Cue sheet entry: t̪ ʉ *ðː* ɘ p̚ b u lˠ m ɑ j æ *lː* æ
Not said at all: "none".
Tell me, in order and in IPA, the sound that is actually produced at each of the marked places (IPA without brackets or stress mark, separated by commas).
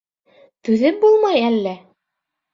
ð, lː